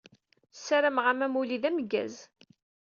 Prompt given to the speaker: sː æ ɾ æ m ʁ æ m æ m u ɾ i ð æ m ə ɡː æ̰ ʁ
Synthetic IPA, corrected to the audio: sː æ ɾ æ m ʁ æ m æ m u l i ð æ m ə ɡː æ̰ z